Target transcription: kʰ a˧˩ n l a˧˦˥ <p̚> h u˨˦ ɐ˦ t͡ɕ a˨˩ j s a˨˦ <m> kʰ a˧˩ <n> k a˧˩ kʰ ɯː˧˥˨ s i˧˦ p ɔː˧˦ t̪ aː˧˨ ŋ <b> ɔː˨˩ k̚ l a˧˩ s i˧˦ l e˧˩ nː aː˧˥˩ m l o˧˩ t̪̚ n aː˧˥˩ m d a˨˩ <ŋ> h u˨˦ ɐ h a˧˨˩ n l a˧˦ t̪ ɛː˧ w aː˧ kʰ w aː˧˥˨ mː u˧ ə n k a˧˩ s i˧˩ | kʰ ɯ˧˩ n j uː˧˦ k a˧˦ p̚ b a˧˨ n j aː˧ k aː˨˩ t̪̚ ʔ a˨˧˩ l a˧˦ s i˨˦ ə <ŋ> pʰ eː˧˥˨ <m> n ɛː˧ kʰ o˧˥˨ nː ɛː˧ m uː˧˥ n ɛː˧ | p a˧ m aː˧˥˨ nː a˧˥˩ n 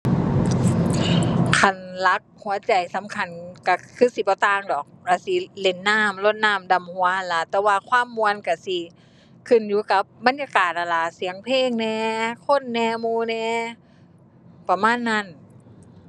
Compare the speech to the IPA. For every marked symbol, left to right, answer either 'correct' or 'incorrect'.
incorrect: k̚, correct, correct, incorrect: d, incorrect: m, correct, incorrect: ŋ

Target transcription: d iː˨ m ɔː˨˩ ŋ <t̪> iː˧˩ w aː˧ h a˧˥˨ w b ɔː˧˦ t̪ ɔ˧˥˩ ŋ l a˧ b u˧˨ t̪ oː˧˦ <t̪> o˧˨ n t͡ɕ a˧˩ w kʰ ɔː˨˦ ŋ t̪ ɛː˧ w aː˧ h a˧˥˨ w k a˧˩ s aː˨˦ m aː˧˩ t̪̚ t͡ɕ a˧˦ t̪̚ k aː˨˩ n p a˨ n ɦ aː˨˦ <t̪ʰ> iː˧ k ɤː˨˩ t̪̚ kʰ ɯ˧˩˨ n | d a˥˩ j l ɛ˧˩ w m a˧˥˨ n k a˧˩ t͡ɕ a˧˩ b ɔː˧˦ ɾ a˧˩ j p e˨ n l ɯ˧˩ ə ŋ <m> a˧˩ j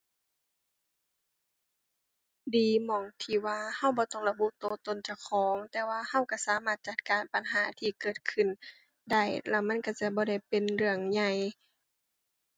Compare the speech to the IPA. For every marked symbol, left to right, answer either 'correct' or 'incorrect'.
incorrect: t̪ʰ, correct, correct, incorrect: ɲ

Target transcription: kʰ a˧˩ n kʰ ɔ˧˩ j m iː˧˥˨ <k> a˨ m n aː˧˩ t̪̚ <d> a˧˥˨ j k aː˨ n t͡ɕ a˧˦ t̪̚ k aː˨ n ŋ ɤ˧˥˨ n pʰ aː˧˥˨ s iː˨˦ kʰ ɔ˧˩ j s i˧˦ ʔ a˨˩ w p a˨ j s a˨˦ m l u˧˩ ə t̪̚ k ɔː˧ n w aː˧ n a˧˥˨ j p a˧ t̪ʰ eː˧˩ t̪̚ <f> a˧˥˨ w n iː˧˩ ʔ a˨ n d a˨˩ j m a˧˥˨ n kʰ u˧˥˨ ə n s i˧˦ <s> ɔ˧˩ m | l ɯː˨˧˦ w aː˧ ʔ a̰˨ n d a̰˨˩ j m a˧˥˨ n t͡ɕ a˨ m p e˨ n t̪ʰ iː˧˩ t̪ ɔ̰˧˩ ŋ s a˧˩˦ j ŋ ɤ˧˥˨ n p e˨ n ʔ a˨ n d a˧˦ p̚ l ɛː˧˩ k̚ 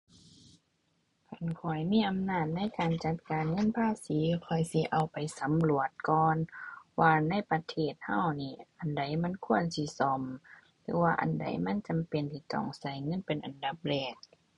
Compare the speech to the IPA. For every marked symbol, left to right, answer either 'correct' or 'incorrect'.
incorrect: ʔ, incorrect: n, incorrect: h, correct

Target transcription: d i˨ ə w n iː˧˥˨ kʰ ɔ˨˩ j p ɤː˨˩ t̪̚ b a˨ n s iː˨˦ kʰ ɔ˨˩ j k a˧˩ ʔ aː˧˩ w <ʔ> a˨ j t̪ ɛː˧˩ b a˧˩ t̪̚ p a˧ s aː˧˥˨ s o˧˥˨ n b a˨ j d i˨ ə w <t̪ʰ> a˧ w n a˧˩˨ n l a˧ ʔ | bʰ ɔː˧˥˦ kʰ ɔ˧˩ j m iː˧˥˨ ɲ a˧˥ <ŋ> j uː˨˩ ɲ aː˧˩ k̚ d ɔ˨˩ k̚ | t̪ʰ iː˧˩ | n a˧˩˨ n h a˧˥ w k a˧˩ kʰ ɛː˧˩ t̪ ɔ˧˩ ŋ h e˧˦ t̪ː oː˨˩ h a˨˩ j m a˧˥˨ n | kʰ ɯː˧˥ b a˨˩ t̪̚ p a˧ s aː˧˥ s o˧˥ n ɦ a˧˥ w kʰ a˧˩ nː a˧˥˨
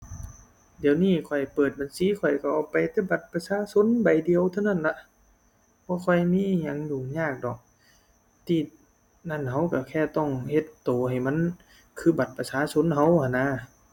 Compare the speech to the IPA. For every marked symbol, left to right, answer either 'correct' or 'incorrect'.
incorrect: p, correct, correct

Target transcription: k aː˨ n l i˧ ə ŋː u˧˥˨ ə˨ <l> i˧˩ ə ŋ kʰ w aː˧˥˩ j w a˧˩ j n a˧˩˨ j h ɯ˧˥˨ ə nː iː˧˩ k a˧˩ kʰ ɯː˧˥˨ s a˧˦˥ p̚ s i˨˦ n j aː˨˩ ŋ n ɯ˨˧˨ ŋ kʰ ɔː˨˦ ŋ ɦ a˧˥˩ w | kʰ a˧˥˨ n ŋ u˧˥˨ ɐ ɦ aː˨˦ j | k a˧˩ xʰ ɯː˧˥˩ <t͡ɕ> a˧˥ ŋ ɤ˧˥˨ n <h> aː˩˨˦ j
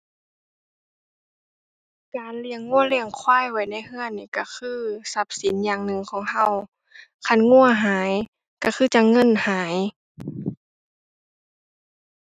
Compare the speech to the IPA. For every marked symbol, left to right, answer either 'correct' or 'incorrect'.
correct, correct, correct

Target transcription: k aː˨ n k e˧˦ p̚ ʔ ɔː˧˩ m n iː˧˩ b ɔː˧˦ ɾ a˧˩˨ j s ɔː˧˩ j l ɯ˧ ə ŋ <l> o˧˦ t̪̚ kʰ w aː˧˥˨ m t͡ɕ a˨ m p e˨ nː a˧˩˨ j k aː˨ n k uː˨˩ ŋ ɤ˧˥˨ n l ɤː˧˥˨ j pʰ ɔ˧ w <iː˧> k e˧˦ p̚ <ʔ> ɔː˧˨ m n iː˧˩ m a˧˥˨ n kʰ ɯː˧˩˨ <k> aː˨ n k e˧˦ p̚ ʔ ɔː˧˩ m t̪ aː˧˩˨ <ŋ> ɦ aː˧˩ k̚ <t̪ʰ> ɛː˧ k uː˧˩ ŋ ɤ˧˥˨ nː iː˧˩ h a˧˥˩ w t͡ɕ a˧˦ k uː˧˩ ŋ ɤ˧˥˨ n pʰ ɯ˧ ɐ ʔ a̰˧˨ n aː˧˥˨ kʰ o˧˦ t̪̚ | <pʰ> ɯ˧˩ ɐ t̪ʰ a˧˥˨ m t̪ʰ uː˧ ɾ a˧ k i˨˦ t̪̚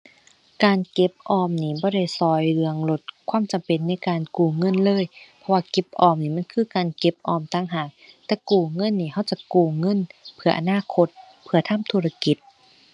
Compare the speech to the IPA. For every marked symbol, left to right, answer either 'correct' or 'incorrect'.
correct, incorrect: aː˧, correct, correct, correct, incorrect: t̪, correct

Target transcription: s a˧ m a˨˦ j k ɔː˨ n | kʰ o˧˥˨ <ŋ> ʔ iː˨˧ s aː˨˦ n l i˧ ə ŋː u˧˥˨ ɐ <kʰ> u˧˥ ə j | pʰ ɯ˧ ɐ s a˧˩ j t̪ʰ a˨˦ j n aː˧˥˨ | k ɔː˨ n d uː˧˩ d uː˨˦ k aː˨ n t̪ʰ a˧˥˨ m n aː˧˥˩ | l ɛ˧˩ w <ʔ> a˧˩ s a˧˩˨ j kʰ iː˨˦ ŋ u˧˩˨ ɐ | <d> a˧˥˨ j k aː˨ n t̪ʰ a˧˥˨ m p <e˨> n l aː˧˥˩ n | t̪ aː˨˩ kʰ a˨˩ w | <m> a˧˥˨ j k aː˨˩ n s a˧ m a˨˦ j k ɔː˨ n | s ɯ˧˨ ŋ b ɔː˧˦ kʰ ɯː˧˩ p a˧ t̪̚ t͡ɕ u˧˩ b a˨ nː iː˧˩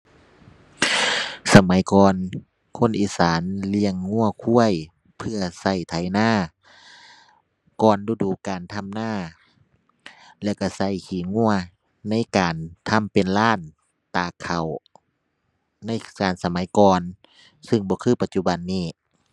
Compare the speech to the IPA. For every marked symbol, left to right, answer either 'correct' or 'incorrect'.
incorrect: n, correct, incorrect: k, incorrect: n, correct, incorrect: n

